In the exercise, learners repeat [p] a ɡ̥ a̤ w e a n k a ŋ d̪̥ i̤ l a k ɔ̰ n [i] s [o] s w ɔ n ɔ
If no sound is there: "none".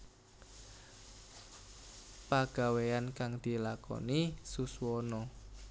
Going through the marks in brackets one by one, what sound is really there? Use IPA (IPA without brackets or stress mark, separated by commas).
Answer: p, i, u